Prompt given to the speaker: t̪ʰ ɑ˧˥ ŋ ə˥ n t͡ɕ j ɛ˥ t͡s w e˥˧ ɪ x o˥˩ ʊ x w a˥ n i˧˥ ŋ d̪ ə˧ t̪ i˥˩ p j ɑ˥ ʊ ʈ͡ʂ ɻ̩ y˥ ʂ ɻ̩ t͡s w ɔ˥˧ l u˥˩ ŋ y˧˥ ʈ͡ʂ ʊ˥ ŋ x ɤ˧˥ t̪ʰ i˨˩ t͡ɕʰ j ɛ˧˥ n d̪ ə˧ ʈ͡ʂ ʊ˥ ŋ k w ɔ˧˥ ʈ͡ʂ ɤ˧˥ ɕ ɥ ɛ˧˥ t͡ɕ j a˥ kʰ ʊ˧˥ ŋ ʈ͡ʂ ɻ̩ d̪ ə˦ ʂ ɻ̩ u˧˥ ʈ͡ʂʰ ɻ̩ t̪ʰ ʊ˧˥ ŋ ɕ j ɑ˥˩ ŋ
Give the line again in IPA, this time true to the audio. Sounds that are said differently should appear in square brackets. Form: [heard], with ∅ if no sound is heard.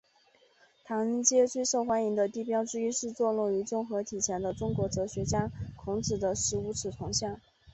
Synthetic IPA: t̪ʰ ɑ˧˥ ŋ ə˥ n t͡ɕ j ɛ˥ t͡s w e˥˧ ɪ [ʂ] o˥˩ ʊ x w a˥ n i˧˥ ŋ d̪ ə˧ t̪ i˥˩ p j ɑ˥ ʊ ʈ͡ʂ ɻ̩ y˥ ʂ ɻ̩ t͡s w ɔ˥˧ l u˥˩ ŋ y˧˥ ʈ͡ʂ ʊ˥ ŋ x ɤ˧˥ t̪ʰ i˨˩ t͡ɕʰ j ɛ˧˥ n d̪ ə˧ ʈ͡ʂ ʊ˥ ŋ k w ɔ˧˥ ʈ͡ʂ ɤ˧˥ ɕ ɥ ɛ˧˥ t͡ɕ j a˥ kʰ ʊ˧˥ ŋ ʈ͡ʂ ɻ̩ d̪ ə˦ ʂ ɻ̩ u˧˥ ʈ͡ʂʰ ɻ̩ t̪ʰ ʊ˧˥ ŋ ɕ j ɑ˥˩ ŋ